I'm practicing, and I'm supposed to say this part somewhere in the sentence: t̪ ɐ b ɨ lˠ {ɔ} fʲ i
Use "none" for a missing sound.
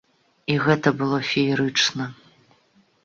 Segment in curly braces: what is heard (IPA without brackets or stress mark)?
ɔ